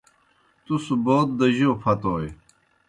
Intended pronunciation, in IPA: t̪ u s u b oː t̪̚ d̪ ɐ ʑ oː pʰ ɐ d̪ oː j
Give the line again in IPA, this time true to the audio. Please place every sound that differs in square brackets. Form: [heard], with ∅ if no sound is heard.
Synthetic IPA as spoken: t̪ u s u b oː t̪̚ d̪ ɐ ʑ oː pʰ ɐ [t̪] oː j